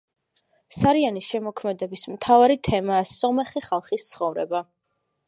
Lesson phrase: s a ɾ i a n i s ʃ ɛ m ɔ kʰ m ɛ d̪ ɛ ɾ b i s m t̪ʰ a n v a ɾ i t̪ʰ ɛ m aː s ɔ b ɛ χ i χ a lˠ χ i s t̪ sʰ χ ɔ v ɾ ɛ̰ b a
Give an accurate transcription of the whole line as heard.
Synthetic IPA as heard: s a ɾ i a n i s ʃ ɛ m ɔ kʰ m ɛ d̪ ɛ b i s m t̪ʰ a v a ɾ i t̪ʰ ɛ m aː s ɔ m ɛ χ i χ a lˠ χ i s t̪ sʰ χ ɔ v ɾ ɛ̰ b a